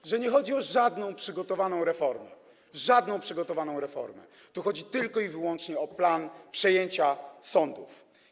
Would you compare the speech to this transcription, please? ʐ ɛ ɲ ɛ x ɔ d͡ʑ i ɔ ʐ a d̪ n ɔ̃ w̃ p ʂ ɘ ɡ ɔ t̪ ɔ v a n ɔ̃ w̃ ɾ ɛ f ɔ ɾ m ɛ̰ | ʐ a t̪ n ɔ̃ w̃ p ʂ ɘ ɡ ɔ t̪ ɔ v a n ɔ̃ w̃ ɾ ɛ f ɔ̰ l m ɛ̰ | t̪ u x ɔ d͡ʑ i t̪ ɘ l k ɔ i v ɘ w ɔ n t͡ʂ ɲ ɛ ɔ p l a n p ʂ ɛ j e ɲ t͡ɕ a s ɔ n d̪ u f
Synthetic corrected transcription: ʐ ɛ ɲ ɛ x ɔ d͡ʑ i ɔ ʐ a d̪ n ɔ̃ w̃ p ʂ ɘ ɡ ɔ t̪ ɔ v a n ɔ̃ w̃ ɾ ɛ f ɔ ɾ m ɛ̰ | ʐ a d̪ n ɔ̃ w̃ p ʂ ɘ ɡ ɔ t̪ ɔ v a n ɔ̃ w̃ ɾ ɛ f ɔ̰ ɾ m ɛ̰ | t̪ u x ɔ d͡ʑ i t̪ ɘ l k ɔ i v ɘ w ɔ n t͡ʂ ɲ ɛ ɔ p l a n p ʂ ɛ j e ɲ t͡ɕ a s ɔ n d̪ u f